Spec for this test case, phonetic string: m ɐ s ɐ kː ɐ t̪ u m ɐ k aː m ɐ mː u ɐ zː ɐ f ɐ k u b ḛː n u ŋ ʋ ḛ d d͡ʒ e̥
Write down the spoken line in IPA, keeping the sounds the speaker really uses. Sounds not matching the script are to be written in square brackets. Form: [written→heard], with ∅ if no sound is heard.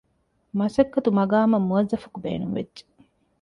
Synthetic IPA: m ɐ s ɐ kː ɐ t̪ u m ɐ [k→ɡ] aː m ɐ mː u ɐ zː ɐ f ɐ k u b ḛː n u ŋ ʋ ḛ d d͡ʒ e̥